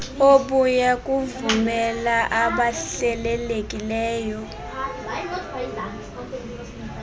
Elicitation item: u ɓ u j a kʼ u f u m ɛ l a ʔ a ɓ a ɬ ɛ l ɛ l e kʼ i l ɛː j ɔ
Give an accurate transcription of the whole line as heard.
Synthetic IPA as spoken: o ɓ u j a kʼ u v u m ɛ l a ʔ a ɓ a ɬ ɛ l ɛ l e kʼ i l ɛː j ɔ